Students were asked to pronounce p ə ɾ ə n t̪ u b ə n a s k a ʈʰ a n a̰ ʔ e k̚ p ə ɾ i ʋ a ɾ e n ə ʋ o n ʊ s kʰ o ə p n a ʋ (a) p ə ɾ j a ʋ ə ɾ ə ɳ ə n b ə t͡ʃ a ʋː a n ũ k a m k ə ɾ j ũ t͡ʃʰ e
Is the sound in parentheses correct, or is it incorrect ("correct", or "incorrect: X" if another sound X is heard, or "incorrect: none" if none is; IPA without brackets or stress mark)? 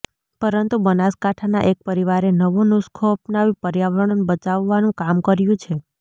incorrect: i